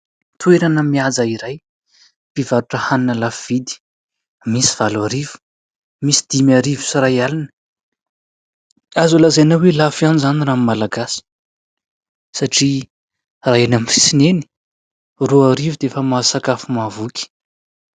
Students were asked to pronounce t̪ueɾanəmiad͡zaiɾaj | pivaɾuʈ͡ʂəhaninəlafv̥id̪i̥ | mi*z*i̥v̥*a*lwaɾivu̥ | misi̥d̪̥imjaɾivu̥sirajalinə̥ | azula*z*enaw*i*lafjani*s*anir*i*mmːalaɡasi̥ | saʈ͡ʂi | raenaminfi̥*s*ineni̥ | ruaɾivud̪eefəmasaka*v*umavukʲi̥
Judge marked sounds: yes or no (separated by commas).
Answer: no, yes, yes, no, no, no, yes, no